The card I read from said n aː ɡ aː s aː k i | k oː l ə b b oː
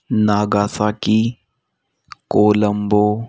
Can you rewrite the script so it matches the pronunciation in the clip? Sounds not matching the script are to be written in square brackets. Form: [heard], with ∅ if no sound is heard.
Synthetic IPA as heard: n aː ɡ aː s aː k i | k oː l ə [m] b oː